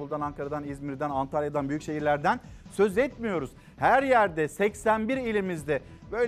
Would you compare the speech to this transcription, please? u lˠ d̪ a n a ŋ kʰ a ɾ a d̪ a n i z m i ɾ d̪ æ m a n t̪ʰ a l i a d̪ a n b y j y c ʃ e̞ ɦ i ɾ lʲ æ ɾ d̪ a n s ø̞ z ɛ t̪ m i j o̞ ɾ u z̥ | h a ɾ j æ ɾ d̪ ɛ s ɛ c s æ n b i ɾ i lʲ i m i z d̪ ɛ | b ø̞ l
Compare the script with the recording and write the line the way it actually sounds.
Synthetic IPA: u lˠ d̪ a n a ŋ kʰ a ɾ a d̪ a n i z m i ɾ d̪ æ n a n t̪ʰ a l j a d̪ a n b y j y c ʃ e̞ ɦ i ɾ lʲ æ ɾ d̪ æ n s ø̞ z ɛ t̪ m i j o̞ ɾ u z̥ | h æ ɾ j æ ɾ d̪ ɛ s ɛ c s æ n b i ɾ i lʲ i m i z d̪ ɛ | b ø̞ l